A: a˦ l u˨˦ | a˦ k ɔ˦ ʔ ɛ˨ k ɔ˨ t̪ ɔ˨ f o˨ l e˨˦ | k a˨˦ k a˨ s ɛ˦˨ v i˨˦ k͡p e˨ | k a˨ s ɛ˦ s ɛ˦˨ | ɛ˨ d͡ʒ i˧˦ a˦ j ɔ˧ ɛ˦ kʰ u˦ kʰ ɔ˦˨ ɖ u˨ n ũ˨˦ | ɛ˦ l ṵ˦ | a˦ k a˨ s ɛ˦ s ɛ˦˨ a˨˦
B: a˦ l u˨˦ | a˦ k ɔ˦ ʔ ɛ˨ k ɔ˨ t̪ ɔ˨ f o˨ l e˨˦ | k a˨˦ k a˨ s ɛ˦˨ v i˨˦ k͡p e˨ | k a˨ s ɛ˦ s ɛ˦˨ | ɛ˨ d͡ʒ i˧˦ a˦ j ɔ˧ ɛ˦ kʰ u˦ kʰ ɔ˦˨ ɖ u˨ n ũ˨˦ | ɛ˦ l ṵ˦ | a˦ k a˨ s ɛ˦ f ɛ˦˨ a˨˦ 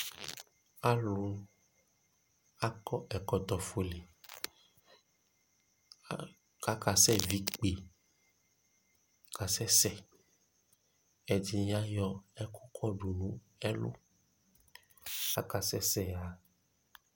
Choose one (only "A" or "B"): A